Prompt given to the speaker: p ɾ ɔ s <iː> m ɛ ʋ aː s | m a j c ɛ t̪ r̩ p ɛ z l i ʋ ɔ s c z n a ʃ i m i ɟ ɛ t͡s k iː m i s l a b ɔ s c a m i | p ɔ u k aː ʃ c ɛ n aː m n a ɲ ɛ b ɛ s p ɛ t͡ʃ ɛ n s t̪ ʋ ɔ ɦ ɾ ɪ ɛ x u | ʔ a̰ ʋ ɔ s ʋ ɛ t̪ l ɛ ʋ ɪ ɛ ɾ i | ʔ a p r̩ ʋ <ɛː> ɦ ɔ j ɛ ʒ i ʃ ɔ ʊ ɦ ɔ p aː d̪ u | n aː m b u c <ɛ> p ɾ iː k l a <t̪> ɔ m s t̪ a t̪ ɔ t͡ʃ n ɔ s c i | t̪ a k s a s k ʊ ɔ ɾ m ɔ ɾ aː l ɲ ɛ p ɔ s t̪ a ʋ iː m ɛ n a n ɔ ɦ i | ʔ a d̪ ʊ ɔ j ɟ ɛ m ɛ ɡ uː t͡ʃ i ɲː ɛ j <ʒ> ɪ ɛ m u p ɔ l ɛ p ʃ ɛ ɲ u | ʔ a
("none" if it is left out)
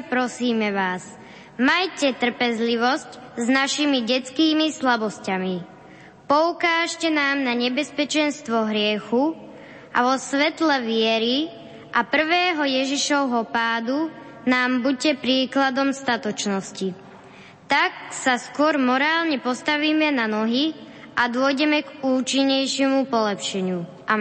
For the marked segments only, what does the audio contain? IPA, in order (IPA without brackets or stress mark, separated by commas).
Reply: iː, ɛː, ɛ, d̪, ʃ